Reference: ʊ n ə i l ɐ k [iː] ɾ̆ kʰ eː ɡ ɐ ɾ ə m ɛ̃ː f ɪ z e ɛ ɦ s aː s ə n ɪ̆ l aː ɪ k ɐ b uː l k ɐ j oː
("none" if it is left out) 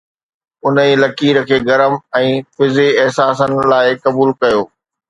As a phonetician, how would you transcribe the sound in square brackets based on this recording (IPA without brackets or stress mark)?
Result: iː